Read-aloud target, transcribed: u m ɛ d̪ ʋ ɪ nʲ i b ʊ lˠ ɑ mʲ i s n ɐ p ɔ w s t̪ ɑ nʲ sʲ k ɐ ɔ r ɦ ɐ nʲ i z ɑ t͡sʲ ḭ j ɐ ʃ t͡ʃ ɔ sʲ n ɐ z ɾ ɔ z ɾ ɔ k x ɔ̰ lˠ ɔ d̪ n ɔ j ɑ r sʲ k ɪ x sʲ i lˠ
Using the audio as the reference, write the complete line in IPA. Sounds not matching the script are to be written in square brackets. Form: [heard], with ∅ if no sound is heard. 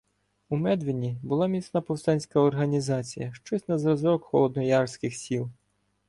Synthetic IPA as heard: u m ɛ d̪ ʋ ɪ nʲ i b ʊ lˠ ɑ mʲ i s n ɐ p ɔ w s t̪ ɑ nʲ sʲ k ɐ ɔ r ɦ ɐ nʲ i z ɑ t͡sʲ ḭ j ɐ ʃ t͡ʃ ɔ sʲ n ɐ z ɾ ɔ z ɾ ɔ k x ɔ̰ lˠ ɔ d̪ n ɔ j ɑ r sʲ k ɪ x sʲ i lˠ